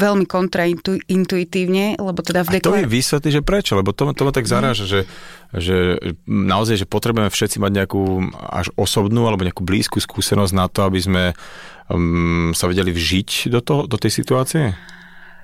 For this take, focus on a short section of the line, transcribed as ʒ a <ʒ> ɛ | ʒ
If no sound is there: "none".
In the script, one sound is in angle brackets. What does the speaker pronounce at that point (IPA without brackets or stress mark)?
ʒ